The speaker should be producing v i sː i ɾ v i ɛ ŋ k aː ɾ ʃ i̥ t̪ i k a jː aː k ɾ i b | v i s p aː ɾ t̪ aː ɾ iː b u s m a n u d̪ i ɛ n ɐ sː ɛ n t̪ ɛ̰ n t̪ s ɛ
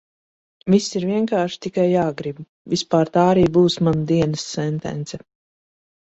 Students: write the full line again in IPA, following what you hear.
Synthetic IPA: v i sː i ɾ v i ɛ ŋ k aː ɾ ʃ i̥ t̪ i k a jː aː ɡ ɾ i b | v i s p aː ɾ t̪ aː ɾ iː b uː s m a n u d̪ i ɛ n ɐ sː ɛ n t̪ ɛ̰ n t̪ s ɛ